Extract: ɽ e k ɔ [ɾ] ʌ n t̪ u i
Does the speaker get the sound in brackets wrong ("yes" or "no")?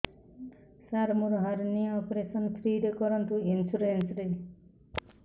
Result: no